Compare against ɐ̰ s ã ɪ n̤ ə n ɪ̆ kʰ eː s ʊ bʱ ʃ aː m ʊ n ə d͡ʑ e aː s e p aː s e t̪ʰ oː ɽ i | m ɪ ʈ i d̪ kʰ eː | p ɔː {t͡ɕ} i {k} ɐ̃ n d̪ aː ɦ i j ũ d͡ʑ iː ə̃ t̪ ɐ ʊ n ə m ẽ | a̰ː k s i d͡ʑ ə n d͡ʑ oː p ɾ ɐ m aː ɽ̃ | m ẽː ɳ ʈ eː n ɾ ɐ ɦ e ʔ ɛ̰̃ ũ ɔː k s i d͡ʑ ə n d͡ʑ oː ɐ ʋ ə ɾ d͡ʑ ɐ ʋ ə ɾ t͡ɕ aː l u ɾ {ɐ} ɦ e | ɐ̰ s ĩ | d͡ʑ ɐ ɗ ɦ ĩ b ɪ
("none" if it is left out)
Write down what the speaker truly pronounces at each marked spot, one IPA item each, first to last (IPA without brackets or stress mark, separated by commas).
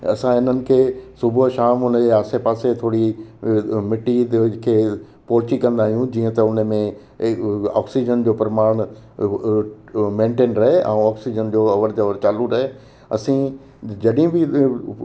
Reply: t͡ɕ, k, ɐ